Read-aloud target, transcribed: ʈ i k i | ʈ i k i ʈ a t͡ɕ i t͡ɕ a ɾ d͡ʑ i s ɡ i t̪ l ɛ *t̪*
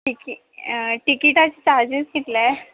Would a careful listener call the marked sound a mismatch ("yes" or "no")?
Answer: yes